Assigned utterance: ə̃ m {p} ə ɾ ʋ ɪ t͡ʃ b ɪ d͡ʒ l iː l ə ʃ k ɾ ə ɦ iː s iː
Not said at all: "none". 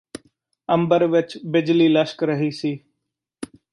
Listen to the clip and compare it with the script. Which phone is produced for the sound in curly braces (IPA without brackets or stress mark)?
b